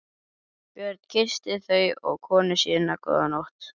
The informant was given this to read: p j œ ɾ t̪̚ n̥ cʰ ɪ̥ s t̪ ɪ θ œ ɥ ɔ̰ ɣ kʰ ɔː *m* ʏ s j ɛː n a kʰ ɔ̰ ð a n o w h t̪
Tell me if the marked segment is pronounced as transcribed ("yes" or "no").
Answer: no